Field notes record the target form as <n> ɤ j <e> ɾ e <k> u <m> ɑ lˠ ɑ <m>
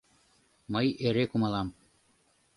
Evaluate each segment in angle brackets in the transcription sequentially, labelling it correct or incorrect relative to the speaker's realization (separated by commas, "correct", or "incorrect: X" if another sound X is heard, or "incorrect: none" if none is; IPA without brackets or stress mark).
incorrect: m, correct, correct, correct, correct